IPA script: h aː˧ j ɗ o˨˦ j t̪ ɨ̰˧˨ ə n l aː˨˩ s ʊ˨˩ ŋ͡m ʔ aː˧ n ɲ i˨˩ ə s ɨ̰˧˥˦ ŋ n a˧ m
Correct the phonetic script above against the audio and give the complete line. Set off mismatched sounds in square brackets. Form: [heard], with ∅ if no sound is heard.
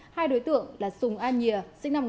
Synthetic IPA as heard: h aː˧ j ɗ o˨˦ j t̪ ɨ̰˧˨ ə [ŋ] l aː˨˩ s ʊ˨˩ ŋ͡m ʔ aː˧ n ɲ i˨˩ ə s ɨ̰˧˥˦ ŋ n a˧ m